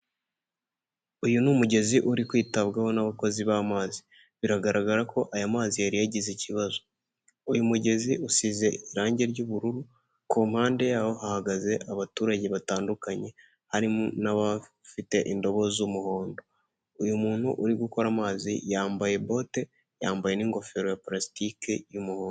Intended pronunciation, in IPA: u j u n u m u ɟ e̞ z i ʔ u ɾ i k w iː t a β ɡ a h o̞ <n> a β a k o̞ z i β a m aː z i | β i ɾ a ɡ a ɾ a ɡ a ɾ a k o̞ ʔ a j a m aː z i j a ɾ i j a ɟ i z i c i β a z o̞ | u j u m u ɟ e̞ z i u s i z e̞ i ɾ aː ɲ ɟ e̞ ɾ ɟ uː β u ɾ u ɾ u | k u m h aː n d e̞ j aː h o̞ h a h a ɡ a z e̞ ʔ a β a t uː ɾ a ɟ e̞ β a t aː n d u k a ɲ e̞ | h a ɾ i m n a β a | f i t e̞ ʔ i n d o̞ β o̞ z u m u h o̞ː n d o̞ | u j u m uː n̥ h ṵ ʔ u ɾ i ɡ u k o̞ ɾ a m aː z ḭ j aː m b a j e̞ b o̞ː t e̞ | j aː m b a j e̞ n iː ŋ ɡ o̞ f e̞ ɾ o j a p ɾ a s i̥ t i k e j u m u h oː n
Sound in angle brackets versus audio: correct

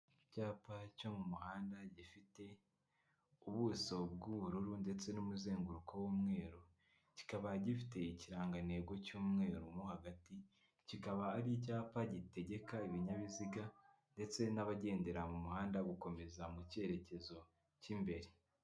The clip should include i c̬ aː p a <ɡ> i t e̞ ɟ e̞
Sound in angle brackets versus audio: incorrect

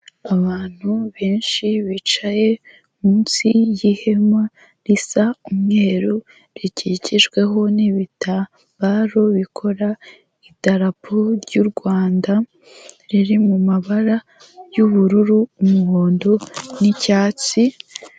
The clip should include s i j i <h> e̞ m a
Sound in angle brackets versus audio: correct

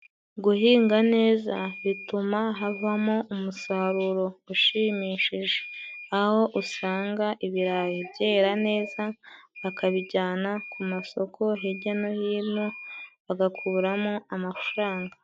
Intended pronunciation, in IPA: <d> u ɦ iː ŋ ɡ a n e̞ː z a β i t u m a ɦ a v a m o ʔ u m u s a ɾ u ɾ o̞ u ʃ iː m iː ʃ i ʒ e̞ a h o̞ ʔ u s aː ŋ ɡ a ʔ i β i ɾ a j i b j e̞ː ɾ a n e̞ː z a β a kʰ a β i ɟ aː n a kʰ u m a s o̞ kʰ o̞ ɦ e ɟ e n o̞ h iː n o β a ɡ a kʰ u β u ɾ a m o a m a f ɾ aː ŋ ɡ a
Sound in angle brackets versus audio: incorrect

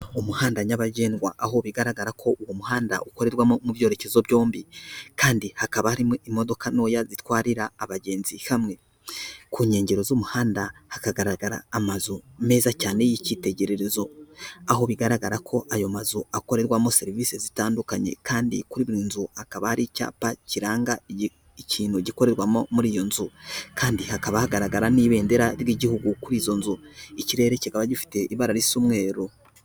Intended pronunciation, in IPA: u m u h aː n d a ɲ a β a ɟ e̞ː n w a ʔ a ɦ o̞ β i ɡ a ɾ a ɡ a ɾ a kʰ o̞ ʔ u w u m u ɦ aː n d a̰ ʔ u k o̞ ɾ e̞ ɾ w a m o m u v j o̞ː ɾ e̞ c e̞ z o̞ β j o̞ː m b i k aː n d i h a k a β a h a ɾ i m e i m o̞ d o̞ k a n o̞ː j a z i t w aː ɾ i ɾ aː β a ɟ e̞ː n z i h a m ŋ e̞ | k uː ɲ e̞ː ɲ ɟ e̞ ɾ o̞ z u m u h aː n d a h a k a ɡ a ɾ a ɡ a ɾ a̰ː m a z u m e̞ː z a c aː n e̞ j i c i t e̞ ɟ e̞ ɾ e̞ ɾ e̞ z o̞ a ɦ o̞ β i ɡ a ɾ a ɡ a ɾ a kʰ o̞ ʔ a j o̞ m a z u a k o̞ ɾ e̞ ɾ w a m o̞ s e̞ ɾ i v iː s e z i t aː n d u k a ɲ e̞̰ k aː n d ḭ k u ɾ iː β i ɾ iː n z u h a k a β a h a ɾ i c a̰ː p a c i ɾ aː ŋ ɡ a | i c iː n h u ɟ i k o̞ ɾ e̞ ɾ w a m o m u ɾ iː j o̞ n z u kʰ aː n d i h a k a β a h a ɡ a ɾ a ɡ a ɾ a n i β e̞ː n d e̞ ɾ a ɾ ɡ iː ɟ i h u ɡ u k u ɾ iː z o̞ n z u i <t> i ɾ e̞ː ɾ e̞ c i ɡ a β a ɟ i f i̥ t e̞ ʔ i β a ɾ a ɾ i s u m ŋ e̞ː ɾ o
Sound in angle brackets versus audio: incorrect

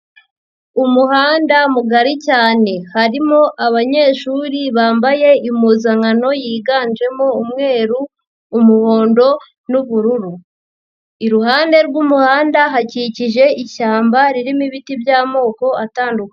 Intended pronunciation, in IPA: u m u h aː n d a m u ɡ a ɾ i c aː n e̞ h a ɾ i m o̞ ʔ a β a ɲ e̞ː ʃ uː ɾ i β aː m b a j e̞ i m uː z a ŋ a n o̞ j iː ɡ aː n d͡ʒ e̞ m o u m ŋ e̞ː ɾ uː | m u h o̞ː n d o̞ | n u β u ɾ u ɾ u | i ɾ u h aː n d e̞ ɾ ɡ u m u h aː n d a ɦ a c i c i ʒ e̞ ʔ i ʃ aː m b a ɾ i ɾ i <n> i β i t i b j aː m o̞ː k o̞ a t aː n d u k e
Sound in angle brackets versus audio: incorrect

